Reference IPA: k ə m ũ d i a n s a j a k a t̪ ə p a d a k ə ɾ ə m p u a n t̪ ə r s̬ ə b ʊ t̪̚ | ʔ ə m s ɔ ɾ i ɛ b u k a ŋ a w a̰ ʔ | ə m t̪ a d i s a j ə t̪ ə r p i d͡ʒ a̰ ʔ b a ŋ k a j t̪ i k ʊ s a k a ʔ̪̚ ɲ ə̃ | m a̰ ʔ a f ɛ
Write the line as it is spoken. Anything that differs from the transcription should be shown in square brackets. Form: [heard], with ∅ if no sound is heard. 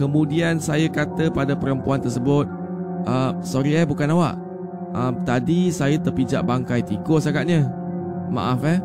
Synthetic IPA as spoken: k ə m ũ d i a n s a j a k a t̪ ə p a d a [p] ə ɾ ə m p u a n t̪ ə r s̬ ə b ʊ t̪̚ | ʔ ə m s ɔ ɾ i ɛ b u k a [n] a w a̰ ʔ | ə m t̪ a d i s a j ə t̪ ə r p i d͡ʒ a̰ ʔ b a ŋ k a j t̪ i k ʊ s a k a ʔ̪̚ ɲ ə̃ | m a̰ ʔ a f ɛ